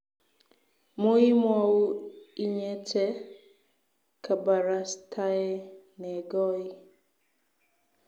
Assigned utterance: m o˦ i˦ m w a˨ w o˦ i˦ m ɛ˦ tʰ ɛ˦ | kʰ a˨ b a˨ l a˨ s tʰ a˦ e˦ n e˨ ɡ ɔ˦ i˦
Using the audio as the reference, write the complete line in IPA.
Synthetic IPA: m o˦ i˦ m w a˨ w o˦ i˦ ɲ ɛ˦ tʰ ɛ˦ | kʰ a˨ b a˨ ɾ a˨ s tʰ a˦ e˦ n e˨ ɡ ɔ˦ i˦